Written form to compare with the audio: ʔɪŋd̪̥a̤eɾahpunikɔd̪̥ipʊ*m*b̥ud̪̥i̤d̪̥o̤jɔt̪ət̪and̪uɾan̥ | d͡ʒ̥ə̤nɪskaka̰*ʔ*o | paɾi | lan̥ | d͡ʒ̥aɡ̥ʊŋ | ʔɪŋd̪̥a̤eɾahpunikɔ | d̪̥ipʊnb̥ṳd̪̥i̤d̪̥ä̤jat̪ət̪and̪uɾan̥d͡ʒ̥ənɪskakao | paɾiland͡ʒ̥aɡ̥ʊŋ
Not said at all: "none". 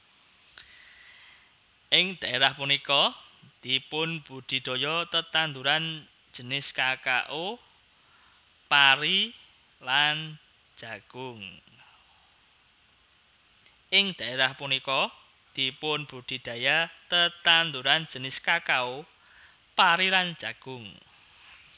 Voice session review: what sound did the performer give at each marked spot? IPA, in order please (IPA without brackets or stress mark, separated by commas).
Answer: n, ʔ